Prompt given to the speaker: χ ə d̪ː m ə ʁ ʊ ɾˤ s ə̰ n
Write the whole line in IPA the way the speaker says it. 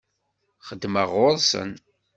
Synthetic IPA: χ ə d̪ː m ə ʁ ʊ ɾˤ s ə̰ n